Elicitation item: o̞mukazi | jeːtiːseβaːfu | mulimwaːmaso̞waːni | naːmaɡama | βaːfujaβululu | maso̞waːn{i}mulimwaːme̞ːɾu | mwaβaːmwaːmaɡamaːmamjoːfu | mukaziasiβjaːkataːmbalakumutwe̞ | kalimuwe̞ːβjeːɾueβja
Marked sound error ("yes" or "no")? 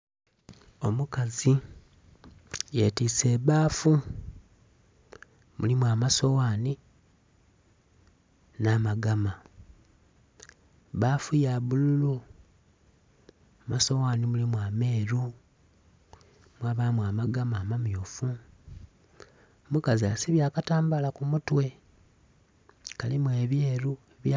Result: no